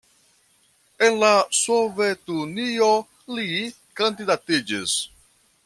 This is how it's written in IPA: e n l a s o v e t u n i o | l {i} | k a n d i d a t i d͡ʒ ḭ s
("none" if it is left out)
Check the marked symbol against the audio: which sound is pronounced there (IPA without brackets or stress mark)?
i